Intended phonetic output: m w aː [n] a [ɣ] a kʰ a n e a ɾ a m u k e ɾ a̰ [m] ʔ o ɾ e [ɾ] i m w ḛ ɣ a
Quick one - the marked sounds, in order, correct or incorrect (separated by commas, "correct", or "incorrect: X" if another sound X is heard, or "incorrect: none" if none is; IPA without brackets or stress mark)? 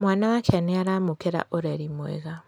correct, incorrect: w, incorrect: none, correct